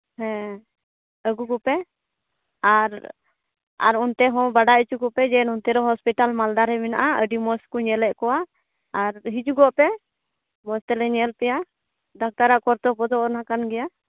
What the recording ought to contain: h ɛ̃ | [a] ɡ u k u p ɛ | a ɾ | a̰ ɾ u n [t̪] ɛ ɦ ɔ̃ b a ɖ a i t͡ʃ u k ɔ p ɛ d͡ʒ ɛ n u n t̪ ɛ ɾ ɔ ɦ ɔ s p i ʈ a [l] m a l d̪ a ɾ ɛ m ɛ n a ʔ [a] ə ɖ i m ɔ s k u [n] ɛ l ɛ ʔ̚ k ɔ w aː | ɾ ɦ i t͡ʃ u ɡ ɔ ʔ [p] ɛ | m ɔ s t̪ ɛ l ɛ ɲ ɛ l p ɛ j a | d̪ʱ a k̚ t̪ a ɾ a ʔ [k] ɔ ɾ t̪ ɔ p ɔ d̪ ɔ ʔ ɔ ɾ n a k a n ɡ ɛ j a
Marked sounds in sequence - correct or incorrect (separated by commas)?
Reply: incorrect, correct, correct, correct, incorrect, correct, correct